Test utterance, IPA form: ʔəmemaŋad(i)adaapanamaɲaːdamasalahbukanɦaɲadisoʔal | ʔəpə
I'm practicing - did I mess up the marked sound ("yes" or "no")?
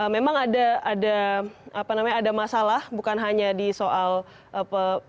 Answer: yes